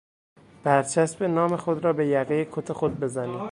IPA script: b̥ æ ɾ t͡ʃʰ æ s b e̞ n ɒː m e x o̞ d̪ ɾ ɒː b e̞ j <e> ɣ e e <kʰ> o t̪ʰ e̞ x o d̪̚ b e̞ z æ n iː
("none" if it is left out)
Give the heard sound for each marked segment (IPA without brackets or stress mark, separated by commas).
æ, kʰ